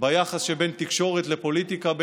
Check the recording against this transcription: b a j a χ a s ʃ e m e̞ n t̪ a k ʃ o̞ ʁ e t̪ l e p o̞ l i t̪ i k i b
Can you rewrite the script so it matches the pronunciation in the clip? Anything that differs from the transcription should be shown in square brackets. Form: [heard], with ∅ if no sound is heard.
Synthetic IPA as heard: b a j a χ a s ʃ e [b] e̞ n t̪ [i] k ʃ o̞ ʁ e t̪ l e p o̞ l i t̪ i k [a] b